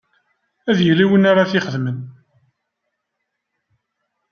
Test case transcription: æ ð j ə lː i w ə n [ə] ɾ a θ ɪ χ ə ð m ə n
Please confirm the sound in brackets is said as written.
no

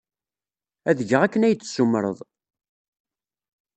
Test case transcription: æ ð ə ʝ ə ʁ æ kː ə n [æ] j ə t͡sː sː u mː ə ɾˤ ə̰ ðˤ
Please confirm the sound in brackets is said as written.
yes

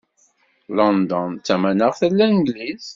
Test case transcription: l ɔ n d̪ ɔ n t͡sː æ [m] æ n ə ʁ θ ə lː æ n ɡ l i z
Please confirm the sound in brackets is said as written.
yes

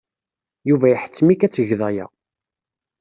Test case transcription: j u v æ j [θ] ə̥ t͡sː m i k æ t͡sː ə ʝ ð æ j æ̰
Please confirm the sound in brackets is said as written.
no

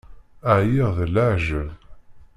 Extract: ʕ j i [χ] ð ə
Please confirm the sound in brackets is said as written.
no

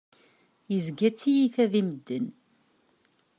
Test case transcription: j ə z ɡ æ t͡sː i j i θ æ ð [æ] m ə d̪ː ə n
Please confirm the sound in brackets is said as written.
no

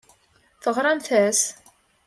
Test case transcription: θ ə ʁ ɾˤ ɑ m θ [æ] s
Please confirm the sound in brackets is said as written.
yes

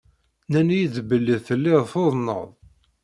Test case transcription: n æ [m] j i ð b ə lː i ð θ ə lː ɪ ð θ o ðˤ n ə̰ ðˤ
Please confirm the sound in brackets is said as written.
no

